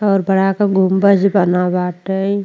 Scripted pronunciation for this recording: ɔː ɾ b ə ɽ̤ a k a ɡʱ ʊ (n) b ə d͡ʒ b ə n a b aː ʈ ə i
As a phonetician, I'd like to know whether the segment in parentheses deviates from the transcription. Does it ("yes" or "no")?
yes